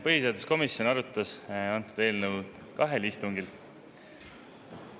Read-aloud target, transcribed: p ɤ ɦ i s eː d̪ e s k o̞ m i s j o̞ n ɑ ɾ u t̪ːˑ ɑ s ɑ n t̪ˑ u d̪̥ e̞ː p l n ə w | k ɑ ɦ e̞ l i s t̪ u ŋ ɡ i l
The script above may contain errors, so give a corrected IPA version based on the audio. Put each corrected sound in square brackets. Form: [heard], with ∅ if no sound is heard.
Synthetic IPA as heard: p ɤ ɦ i s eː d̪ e s k o̞ m i s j o̞ n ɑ ɾ u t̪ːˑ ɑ s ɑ n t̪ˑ u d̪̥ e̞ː [∅] l n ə w | k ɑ ɦ e̞ l i s t̪ u ŋ ɡ i l